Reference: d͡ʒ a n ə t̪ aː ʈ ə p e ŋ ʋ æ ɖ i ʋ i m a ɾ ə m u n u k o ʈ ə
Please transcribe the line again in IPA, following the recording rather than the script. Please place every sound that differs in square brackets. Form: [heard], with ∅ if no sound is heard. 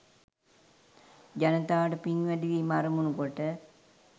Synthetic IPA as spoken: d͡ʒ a n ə t̪ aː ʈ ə p [i] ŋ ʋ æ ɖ i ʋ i m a ɾ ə m u n u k o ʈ ə